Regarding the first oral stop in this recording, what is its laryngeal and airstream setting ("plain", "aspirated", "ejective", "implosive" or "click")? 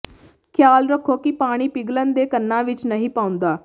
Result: aspirated